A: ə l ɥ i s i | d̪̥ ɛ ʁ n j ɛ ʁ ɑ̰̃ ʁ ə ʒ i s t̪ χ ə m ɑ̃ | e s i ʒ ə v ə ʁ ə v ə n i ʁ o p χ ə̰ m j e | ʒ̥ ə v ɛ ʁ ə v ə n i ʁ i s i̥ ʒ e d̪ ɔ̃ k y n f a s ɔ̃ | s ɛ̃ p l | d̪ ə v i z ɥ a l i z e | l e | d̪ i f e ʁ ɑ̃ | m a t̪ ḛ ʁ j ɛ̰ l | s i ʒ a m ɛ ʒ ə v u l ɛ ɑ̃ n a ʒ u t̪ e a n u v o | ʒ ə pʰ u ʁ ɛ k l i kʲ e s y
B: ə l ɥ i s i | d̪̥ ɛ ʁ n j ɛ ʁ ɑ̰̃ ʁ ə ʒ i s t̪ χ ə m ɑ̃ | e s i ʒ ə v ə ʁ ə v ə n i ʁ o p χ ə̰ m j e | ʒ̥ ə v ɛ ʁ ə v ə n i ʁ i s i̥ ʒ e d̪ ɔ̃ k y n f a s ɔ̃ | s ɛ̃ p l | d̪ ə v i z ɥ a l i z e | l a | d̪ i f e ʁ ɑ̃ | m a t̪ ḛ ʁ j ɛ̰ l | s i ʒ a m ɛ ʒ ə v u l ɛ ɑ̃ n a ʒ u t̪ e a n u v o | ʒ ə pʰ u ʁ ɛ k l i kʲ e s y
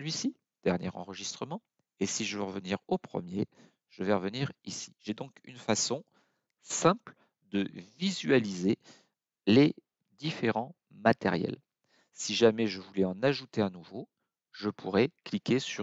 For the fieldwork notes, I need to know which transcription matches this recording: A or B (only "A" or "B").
A